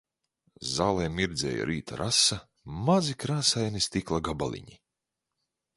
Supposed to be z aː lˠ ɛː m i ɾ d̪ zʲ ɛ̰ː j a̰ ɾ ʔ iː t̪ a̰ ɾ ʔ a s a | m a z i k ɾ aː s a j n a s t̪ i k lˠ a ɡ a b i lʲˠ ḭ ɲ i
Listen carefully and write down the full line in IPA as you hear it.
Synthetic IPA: z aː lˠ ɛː m i ɾ d̪ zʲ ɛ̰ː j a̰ ɾ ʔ iː t̪ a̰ ɾ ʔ a s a | m a z i k ɾ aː s a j n i s t̪ i k lˠ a ɡ a b a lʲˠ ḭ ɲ i